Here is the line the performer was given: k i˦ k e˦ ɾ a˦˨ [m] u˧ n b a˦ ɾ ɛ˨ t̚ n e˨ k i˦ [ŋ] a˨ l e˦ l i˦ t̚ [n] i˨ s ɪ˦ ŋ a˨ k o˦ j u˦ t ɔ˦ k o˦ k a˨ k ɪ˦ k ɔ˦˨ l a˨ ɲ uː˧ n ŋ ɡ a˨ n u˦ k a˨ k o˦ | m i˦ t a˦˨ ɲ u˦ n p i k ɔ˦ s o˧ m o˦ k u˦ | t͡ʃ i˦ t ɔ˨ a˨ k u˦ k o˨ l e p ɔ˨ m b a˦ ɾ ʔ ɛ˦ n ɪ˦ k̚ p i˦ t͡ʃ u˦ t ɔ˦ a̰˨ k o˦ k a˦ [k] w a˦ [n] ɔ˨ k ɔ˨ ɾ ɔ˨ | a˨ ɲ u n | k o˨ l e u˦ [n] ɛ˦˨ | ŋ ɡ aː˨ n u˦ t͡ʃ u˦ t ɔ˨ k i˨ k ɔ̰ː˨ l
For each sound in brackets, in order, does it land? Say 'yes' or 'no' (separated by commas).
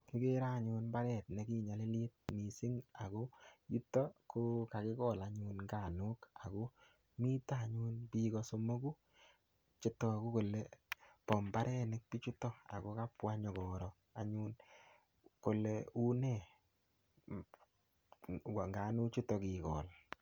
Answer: no, no, no, no, no, yes